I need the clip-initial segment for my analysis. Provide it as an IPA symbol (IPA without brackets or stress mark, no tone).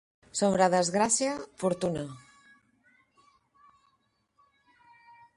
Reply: s